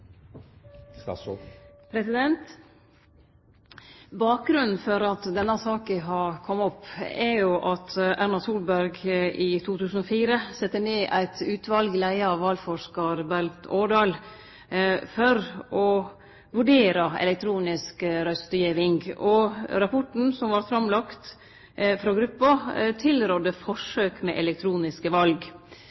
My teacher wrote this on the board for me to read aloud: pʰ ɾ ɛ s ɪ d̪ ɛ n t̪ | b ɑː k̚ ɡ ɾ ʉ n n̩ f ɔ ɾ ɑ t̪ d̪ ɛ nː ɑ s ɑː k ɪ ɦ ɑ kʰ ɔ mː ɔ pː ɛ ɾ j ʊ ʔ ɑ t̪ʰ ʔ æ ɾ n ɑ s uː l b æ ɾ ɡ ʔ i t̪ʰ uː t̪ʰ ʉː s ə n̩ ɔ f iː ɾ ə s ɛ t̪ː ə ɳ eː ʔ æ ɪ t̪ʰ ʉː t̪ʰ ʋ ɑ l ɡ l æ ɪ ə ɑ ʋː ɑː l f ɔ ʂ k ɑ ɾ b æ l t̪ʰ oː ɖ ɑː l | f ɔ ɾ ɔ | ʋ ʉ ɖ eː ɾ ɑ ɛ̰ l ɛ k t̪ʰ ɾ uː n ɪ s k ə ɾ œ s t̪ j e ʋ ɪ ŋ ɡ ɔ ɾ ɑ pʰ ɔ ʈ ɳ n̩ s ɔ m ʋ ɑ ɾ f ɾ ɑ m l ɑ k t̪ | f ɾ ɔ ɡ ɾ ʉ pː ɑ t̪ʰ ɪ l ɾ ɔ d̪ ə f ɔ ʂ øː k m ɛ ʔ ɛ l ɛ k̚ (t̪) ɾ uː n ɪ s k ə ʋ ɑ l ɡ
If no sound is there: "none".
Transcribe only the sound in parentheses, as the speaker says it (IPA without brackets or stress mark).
t̪ʰ